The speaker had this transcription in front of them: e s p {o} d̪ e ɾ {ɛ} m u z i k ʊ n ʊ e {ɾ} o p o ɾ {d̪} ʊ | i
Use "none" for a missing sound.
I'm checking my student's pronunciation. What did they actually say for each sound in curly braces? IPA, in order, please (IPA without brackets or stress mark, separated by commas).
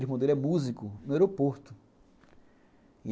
õ, ɛ, ɾ, t̪